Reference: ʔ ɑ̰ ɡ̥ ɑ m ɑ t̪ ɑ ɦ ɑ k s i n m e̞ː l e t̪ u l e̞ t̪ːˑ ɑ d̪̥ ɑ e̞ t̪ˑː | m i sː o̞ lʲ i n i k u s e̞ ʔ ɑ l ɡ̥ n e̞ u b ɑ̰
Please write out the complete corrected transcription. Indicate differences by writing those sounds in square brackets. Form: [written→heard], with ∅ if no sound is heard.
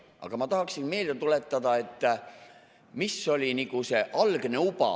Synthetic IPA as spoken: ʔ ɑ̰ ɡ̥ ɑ m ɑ t̪ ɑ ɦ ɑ k s i n m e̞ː l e t̪ u l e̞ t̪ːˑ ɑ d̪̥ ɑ e̞ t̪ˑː | m i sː o̞ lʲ i n i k u s e̞ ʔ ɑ l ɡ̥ n e̞ u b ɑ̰